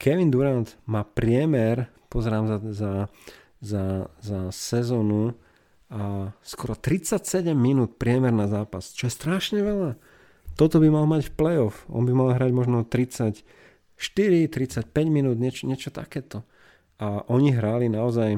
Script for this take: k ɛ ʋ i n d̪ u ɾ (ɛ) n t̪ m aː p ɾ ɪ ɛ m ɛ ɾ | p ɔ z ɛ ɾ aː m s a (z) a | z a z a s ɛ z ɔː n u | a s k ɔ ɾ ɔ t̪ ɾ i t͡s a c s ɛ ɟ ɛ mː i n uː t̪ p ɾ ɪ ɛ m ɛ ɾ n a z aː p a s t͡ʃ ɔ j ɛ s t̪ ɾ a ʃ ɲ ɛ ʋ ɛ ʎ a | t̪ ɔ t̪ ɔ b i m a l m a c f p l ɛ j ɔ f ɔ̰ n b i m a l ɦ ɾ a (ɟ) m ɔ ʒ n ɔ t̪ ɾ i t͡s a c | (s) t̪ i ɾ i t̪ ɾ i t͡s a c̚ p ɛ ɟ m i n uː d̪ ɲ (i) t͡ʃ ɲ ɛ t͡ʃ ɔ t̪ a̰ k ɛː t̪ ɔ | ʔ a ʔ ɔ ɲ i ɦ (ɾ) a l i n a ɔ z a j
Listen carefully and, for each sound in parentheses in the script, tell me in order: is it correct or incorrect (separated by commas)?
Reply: incorrect, correct, correct, incorrect, incorrect, correct